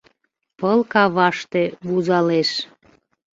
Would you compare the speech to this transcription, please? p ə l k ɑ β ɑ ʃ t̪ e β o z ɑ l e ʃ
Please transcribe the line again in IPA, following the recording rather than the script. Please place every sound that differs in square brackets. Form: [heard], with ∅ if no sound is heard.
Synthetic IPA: p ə l k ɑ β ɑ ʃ t̪ e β [u] z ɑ l e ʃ